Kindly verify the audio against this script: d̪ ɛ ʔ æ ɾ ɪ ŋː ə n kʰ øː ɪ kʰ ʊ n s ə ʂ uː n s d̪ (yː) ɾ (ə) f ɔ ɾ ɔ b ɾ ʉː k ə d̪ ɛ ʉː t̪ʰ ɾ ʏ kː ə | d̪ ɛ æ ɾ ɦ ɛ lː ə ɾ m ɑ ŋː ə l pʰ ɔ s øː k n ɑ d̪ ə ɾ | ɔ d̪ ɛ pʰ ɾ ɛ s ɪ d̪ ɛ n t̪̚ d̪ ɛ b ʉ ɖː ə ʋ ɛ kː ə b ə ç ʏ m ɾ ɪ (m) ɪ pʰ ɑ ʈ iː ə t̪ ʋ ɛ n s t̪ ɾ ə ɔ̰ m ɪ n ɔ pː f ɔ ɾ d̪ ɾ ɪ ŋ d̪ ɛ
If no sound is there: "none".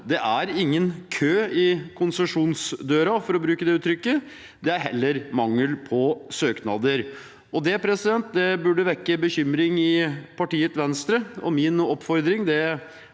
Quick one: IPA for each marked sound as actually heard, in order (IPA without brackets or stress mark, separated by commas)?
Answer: øː, ɑ, ŋ